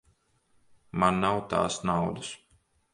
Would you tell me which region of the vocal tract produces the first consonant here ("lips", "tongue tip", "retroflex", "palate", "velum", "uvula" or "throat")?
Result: lips